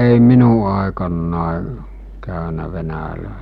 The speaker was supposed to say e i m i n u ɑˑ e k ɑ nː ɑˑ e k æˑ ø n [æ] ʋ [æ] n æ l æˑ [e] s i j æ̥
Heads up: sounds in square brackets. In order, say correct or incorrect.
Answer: correct, incorrect, correct

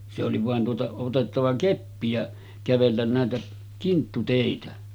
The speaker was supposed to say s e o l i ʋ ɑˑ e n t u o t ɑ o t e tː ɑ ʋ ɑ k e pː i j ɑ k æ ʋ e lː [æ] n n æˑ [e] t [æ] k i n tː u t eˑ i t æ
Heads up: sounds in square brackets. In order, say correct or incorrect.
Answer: correct, correct, correct

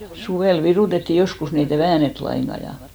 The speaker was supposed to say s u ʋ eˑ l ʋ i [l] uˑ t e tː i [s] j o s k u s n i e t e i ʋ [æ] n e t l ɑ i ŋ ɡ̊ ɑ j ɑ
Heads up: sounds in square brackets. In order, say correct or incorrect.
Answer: incorrect, incorrect, incorrect

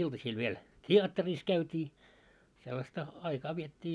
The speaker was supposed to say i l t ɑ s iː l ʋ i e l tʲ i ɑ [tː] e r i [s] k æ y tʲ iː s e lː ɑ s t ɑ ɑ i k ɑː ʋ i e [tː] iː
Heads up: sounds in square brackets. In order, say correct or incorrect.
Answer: correct, correct, correct

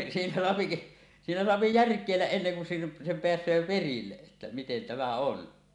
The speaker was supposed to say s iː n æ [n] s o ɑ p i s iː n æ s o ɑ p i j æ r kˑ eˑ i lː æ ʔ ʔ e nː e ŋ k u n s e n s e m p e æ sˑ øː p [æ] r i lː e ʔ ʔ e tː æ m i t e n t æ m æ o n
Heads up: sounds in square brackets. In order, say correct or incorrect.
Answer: incorrect, incorrect

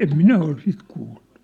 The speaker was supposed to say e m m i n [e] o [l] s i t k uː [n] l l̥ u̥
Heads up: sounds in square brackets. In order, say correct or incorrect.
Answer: incorrect, correct, incorrect

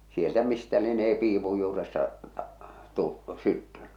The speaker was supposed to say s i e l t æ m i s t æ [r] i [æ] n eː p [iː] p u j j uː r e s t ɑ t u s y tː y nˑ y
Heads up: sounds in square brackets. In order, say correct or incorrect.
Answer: incorrect, incorrect, correct

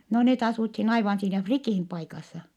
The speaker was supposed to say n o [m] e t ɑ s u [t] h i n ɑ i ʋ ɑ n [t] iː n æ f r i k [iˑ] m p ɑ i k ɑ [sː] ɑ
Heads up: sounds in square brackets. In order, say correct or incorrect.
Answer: incorrect, correct, incorrect, correct, correct

